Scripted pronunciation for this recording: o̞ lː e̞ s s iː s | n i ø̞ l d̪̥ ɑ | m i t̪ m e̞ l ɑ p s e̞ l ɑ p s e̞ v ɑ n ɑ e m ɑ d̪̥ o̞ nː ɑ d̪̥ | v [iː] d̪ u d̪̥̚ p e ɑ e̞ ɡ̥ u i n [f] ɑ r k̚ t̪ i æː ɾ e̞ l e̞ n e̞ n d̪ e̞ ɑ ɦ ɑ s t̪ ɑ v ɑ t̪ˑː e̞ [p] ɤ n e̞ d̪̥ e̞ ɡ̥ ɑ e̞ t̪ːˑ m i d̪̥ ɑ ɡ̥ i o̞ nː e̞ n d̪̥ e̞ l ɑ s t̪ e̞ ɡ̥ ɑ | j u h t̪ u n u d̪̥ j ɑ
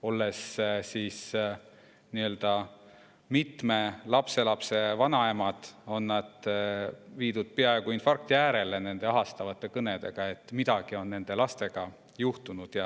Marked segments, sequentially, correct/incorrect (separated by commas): correct, correct, incorrect